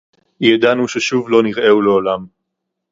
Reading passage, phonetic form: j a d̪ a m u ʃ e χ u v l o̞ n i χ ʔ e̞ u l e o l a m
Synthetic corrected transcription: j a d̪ a n u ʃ e ʃ u v l o̞ n i ʁ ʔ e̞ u l e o l a m